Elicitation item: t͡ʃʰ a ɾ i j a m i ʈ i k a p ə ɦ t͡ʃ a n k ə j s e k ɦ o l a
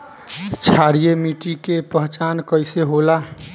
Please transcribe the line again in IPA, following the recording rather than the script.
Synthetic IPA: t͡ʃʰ a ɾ i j e m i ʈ i k e p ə ɦ t͡ʃ a n k ə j s e ɦ o l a